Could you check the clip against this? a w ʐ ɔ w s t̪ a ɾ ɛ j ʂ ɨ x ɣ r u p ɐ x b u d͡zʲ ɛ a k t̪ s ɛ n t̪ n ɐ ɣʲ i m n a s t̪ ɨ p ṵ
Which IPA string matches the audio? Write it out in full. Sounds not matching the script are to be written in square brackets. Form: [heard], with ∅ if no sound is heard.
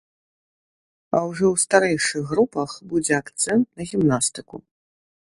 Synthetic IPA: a w ʐ ɔ w s t̪ a ɾ ɛ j ʂ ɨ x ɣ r u p ɐ x b u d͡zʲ ɛ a k t̪ s ɛ n t̪ n ɐ ɣʲ i m n a s t̪ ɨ [k] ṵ